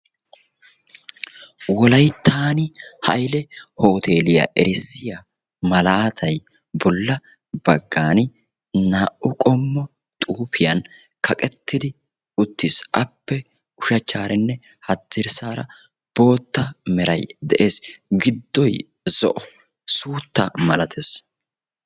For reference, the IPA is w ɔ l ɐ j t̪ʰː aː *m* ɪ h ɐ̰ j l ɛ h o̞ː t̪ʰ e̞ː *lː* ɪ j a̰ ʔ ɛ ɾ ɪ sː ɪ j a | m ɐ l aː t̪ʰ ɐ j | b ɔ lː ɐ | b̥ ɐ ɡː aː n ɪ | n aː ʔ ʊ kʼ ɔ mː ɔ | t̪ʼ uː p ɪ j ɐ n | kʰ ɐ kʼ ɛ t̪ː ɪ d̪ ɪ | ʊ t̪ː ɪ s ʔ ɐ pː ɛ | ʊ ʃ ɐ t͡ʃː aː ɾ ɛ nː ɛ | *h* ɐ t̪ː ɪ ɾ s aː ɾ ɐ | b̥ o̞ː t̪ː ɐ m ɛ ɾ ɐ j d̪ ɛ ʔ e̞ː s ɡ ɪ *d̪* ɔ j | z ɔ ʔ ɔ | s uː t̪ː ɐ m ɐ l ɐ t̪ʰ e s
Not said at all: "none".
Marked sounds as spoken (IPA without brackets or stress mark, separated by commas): n, l, h, d̪ː